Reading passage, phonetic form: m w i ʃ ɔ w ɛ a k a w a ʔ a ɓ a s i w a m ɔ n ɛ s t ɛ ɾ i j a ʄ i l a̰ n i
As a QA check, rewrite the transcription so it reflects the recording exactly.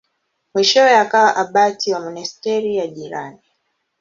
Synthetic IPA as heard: m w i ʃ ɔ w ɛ a k a w a ʔ a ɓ a t i w a m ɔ n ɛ s t ɛ ɾ i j a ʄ i ɾ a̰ n i